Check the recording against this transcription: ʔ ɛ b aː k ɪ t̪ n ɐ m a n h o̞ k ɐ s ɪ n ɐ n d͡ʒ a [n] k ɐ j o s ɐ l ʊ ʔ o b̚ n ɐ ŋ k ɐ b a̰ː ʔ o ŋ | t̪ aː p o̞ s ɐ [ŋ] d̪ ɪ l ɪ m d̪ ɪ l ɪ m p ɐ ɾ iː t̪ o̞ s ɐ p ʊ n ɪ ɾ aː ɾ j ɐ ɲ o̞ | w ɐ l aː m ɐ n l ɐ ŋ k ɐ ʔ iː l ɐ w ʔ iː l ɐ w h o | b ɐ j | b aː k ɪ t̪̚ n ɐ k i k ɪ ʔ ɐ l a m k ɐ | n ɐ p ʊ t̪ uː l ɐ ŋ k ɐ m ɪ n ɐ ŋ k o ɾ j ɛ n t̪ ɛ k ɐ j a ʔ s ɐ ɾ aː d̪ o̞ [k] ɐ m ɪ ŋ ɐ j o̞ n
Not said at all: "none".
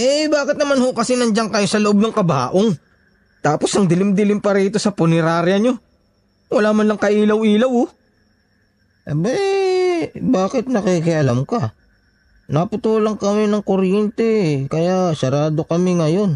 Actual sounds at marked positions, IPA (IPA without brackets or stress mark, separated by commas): ŋ, ŋ, k